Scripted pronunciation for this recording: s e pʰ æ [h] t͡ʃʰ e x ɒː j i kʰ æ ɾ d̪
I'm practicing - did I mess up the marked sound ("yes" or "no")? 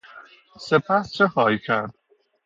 yes